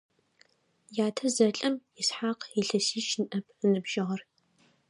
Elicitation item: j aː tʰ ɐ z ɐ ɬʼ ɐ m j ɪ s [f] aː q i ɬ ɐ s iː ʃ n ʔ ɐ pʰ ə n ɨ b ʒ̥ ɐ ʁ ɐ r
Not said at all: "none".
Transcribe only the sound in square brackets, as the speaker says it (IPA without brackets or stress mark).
ħ